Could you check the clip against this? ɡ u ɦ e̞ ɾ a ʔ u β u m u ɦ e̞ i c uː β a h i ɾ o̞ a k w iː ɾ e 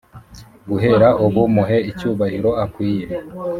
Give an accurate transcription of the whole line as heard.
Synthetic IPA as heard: ɡ u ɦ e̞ ɾ a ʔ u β u m u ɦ e̞ i c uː β a h i ɾ o̞ a k w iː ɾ e